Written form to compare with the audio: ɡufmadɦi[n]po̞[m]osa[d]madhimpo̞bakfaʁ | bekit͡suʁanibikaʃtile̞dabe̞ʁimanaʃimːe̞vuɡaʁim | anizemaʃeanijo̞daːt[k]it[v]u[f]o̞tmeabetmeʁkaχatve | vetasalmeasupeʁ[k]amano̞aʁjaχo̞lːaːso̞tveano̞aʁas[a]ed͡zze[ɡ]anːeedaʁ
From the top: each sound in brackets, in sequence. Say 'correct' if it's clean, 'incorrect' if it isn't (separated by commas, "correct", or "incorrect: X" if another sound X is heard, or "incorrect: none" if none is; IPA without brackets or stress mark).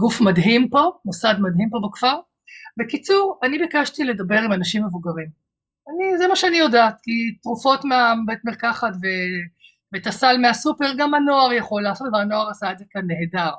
incorrect: m, correct, correct, correct, incorrect: ʁ, correct, incorrect: ɡ, correct, incorrect: k